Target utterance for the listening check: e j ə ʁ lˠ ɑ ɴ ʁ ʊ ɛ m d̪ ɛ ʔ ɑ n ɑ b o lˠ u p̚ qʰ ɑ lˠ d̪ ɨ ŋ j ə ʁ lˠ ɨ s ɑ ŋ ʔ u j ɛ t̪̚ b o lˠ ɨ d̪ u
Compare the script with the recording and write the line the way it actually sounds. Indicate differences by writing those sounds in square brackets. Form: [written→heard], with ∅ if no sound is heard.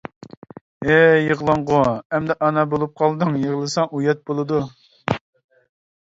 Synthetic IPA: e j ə ʁ lˠ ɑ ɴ ʁ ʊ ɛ m d̪ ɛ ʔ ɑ n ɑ b o lˠ u p̚ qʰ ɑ lˠ d̪ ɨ ŋ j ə ʁ lˠ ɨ s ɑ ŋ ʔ u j ɛ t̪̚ b o lˠ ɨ d̪ u